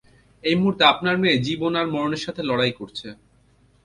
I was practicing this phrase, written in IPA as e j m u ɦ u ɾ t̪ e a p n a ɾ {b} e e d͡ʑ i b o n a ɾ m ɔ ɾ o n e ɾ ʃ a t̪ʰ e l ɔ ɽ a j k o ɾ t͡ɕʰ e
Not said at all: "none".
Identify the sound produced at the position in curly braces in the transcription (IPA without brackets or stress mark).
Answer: m